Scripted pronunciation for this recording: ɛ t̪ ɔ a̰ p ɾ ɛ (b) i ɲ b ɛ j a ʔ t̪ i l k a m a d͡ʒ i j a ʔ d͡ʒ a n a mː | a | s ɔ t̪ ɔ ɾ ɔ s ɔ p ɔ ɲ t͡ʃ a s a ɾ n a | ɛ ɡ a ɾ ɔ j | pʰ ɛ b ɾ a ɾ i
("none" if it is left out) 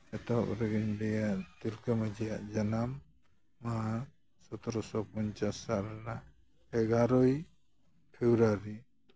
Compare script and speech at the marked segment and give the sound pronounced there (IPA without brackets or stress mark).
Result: ɡ